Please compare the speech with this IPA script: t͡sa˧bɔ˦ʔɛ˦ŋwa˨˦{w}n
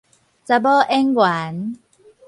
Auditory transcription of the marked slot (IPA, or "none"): none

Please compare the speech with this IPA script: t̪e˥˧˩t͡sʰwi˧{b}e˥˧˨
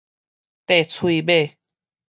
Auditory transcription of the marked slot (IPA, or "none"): b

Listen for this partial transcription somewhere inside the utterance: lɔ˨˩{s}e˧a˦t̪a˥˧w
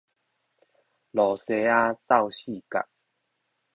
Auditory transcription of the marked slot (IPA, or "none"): s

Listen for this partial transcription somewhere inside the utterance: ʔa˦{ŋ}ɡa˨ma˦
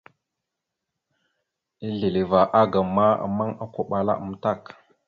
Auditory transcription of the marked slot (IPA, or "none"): none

